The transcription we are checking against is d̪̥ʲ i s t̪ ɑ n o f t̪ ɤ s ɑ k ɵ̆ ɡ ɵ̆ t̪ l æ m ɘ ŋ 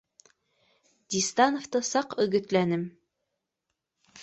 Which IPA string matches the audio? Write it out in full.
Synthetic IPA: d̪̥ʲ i s t̪ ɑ n o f t̪ ɤ s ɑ q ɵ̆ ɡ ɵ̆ t̪ l æ n ɘ m